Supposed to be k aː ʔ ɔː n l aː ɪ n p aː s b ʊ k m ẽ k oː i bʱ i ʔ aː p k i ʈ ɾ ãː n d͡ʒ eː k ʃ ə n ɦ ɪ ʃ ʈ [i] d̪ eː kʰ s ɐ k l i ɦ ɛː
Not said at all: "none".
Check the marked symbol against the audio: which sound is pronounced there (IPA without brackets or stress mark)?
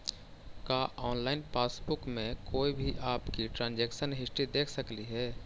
i